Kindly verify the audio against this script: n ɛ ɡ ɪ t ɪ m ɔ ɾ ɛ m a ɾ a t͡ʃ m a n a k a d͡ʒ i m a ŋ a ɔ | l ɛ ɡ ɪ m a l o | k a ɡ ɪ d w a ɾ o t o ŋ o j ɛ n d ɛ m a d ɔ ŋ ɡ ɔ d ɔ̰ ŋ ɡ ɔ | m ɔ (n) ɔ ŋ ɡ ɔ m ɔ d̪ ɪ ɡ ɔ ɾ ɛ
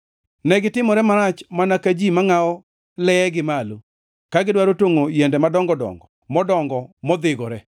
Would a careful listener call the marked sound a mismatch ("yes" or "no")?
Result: yes